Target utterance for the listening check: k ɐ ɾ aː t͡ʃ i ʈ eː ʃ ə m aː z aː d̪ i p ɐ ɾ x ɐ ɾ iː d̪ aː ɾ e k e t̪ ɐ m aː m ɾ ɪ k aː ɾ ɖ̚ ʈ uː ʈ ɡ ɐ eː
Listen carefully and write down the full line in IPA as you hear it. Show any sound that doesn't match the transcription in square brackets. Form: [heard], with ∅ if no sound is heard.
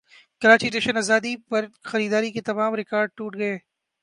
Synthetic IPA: k ɐ ɾ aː t͡ʃ i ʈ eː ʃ ə [n] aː z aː d̪ i p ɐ ɾ x ɐ ɾ iː d̪ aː ɾ [i] k e t̪ ɐ m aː m ɾ ɪ k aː ɾ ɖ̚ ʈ uː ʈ ɡ ɐ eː